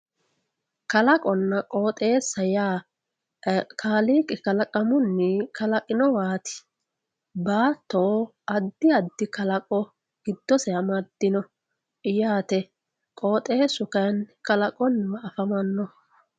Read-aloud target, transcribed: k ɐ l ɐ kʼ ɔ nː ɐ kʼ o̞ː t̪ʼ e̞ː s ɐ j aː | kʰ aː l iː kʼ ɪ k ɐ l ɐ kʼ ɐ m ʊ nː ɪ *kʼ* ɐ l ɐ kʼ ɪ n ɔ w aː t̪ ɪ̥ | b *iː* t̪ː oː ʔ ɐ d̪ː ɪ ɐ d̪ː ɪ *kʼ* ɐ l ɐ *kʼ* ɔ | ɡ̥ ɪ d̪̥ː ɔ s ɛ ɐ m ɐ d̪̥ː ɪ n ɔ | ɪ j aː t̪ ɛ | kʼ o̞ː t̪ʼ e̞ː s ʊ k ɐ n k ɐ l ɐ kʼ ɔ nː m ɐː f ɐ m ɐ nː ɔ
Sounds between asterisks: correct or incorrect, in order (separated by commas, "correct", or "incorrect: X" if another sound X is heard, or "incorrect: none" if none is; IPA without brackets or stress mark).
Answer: incorrect: k, incorrect: aː, incorrect: k, correct